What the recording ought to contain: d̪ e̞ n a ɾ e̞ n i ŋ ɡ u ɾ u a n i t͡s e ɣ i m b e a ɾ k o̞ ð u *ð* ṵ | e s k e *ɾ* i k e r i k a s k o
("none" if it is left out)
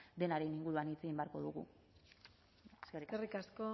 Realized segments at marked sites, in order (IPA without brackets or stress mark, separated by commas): ɣ, r